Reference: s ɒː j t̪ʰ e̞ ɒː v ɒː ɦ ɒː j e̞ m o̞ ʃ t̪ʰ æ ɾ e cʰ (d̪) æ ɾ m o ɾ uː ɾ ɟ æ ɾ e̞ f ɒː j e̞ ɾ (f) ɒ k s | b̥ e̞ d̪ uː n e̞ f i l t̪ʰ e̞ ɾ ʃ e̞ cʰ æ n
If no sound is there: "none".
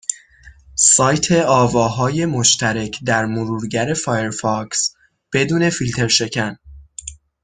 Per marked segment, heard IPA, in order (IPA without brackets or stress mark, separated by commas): d̪, f